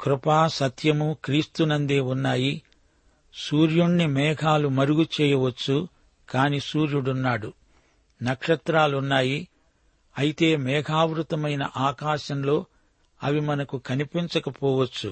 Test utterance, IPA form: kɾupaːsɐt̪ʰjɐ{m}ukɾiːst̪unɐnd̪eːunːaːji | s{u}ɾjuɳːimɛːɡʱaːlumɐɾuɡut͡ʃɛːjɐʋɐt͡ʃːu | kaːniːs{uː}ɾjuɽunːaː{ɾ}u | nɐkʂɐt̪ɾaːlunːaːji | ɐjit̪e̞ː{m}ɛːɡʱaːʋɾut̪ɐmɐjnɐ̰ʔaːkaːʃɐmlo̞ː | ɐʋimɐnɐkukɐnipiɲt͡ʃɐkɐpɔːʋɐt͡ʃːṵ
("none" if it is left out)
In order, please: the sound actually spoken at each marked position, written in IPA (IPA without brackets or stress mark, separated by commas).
m, uː, uː, ɽ, m